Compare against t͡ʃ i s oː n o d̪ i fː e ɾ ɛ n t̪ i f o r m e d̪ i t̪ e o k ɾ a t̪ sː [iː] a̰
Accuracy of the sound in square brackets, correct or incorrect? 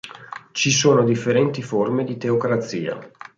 correct